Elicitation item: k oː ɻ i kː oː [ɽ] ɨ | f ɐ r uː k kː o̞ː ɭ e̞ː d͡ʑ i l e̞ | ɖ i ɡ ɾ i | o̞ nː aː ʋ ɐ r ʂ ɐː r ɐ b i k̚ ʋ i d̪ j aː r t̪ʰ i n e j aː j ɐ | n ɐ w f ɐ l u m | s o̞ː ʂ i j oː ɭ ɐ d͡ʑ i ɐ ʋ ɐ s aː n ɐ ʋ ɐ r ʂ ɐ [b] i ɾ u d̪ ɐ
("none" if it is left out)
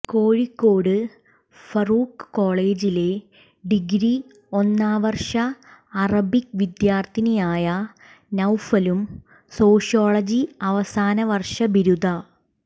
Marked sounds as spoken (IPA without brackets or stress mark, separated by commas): ɽ, b